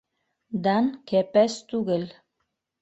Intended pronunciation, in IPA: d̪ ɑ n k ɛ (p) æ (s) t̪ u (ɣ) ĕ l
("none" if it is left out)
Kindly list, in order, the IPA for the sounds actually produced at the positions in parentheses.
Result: p, s, ɣ

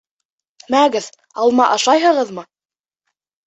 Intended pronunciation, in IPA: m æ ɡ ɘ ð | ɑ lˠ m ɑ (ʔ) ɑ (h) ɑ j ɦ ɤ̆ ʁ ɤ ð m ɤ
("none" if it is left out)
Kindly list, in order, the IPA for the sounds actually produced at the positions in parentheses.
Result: ʔ, ʃ

